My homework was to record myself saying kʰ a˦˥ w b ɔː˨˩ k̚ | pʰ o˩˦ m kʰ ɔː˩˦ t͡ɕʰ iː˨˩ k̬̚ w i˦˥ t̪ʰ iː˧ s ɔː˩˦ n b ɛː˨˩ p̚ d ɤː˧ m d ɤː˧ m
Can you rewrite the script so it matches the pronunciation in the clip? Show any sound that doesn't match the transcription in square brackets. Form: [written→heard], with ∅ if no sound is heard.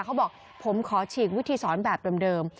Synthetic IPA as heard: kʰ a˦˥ w b ɔː˨˩ k̚ | pʰ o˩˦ m kʰ ɔː˩˦ t͡ɕʰ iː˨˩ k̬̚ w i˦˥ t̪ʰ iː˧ s ɔː˩˦ n b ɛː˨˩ p̚ d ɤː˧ m d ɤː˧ m